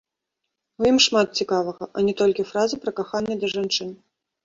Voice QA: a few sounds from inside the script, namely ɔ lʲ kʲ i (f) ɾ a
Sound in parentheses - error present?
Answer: no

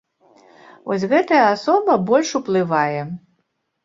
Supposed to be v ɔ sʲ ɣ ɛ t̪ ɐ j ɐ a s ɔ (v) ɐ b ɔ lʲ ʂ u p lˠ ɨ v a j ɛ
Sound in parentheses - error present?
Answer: yes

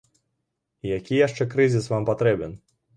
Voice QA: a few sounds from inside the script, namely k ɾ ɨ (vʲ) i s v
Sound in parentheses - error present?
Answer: yes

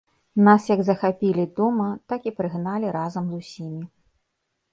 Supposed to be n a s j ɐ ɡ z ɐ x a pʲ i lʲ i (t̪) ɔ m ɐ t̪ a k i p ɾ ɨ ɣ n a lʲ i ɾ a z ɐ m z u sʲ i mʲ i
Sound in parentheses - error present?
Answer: yes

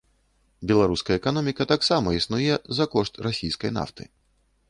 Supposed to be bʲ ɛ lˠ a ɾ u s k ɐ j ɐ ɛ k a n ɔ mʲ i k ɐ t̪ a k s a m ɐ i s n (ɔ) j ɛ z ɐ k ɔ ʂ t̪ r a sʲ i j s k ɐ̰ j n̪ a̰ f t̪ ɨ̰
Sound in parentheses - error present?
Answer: yes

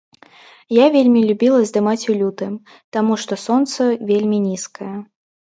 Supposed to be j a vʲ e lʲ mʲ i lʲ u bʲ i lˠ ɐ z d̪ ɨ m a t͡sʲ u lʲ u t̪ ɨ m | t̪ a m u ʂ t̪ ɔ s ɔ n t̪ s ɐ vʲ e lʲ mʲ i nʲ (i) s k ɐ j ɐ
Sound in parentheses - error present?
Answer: no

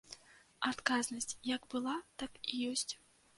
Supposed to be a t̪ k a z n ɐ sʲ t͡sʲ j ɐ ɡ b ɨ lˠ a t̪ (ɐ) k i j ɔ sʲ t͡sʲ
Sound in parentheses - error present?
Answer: yes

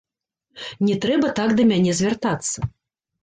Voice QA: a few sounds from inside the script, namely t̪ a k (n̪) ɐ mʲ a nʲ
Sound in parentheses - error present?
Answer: yes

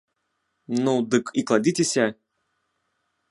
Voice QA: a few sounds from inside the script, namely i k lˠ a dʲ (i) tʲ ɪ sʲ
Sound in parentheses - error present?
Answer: no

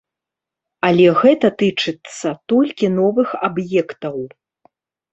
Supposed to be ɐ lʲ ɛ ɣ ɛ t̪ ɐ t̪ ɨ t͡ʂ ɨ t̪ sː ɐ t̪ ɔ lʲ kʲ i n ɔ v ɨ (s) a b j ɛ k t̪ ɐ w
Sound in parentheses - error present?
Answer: yes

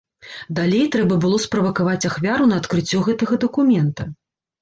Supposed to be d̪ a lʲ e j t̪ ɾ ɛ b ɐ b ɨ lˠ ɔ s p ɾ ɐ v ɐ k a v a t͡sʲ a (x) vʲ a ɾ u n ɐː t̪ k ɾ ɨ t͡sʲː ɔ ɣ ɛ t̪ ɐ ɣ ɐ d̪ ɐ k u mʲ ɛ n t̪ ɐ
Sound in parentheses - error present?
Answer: no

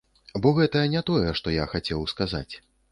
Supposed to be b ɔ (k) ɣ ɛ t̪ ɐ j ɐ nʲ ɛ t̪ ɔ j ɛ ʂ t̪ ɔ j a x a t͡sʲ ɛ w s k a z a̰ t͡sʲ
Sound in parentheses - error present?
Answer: yes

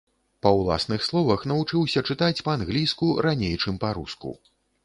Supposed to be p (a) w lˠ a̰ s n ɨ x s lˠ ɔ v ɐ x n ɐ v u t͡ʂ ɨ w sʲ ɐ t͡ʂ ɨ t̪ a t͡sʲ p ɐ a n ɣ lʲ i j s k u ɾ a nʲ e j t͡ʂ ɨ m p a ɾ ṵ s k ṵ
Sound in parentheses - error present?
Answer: yes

